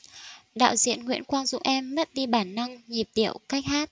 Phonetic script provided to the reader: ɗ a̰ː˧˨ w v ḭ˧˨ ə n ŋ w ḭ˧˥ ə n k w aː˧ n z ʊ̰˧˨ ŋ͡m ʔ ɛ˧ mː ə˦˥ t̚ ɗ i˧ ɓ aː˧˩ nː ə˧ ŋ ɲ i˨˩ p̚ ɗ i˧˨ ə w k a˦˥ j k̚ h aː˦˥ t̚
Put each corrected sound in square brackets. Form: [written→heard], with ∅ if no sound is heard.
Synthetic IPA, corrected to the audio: ɗ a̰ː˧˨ w [v→z] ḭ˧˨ ə n ŋ w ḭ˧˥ ə n k w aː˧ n z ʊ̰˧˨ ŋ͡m ʔ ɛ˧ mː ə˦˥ t̚ ɗ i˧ ɓ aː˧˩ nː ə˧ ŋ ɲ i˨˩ p̚ ɗ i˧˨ ə w k a˦˥ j k̚ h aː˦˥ t̚